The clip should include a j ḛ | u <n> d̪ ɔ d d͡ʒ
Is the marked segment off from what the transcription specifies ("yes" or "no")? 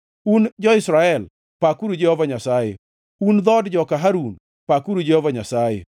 no